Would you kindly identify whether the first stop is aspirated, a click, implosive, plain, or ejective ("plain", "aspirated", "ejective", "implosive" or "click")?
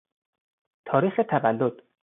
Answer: aspirated